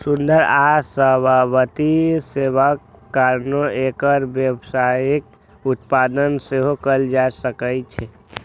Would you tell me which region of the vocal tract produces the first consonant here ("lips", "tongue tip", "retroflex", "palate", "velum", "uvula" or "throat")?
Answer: tongue tip